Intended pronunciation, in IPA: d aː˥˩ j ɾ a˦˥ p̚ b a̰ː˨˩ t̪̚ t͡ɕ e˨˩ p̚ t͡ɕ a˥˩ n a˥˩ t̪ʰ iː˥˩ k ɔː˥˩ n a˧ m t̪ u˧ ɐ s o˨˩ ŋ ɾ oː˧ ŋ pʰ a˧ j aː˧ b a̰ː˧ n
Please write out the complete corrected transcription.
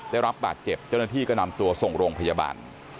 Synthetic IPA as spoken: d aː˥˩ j ɾ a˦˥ p̚ b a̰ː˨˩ t̪̚ t͡ɕ e˨˩ p̚ t͡ɕ a˥˩ n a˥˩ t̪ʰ iː˥˩ k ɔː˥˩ n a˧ m t̪ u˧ ɐ s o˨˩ ŋ ɾ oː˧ ŋ pʰ a˧ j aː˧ b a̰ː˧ n